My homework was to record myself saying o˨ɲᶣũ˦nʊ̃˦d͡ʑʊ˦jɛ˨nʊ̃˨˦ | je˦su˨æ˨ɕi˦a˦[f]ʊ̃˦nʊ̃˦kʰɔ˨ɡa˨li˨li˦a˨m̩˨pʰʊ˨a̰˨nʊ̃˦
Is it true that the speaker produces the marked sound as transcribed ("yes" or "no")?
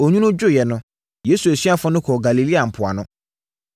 yes